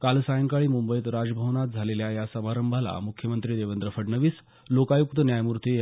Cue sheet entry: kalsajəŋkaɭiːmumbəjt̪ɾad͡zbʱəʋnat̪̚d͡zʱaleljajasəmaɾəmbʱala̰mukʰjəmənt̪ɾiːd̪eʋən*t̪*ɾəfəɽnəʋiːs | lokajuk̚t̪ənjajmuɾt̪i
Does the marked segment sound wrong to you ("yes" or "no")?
yes